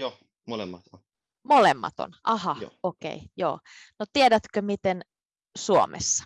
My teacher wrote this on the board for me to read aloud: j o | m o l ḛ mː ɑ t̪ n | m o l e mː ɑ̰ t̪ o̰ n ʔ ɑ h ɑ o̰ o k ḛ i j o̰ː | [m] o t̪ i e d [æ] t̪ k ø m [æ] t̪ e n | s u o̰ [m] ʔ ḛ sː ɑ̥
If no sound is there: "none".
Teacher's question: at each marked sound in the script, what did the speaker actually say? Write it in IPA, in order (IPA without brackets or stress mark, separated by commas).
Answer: n, æ, i, m